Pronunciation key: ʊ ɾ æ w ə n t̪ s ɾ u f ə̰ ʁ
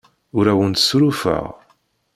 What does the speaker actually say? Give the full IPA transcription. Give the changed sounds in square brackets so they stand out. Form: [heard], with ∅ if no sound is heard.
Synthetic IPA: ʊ ɾ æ w ə n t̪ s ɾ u f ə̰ ʁ